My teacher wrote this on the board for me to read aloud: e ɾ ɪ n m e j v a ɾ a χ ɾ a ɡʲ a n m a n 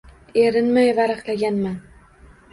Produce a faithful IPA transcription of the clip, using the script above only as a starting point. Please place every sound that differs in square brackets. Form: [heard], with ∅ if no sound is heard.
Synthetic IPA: e ɾ ɪ n m [a] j v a ɾ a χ [l] a ɡʲ a n m a n